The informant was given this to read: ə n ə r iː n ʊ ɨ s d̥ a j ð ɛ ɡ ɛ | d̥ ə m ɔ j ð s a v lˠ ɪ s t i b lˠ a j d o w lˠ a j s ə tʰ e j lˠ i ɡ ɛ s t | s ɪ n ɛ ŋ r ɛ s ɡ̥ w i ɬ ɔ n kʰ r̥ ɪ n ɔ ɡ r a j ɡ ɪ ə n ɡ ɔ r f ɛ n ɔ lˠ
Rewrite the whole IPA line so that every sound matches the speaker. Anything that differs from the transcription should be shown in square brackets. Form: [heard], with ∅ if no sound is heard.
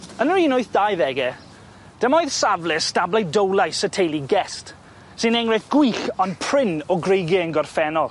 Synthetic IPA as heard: ə n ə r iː n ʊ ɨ [θ] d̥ a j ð ɛ ɡ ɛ | d̥ ə m ɔ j ð s a v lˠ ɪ s t [a] b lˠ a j d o w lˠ a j s ə tʰ e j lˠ i ɡ ɛ s t | s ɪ n ɛ ŋ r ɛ [θ] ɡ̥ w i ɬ ɔ n [pʰ] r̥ ɪ n ɔ ɡ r [e] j ɡ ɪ ə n ɡ ɔ r f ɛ n ɔ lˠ